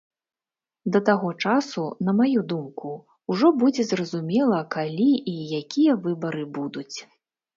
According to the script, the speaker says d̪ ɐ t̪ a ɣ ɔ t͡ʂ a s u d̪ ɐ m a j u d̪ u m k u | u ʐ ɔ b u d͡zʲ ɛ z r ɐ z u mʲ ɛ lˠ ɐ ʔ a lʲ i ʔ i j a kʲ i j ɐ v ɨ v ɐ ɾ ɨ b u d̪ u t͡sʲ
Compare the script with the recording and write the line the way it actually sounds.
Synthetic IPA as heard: d̪ ɐ t̪ a ɣ ɔ t͡ʂ a s u n̪ ɐ m a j u d̪ u m k u | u ʐ ɔ b u d͡zʲ ɛ z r ɐ z u mʲ ɛ lˠ ɐ k a lʲ i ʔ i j a kʲ i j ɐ v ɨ b ɐ ɾ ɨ b u d̪ u t͡sʲ